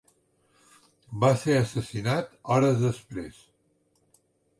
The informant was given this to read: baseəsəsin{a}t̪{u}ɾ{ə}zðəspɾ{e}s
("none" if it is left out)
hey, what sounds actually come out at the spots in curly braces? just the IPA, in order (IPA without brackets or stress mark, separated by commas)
a, ɔ, ə, e